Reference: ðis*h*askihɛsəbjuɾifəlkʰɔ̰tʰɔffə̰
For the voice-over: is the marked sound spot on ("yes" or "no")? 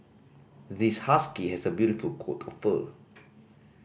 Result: yes